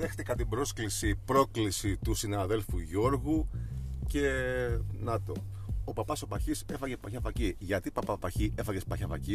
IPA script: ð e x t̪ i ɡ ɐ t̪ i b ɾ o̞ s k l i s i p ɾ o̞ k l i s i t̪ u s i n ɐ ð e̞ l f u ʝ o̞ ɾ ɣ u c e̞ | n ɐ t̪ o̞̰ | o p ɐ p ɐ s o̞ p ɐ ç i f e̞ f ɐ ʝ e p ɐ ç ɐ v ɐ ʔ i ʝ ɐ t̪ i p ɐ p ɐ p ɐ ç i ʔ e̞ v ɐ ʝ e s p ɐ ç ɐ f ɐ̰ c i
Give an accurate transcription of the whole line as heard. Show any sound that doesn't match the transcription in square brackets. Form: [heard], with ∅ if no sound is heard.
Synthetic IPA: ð e x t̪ i [k] ɐ t̪ i b ɾ o̞ s k l i s i p ɾ o̞ k l i s i t̪ u s i n ɐ ð e̞ l f u ʝ o̞ ɾ ɣ u c e̞ | n ɐ t̪ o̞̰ | o p ɐ p ɐ s o̞ p ɐ ç i [s] e̞ f ɐ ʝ e p ɐ ç ɐ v ɐ [c] i ʝ ɐ t̪ i p ɐ p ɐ p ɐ ç i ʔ e̞ [f] ɐ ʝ e s p ɐ ç ɐ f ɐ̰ c i